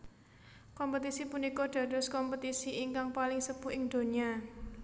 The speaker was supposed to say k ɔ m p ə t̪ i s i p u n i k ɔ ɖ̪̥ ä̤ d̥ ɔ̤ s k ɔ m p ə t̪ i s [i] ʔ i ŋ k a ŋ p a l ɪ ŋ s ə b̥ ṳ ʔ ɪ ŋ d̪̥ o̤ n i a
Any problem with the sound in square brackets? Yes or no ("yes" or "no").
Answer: no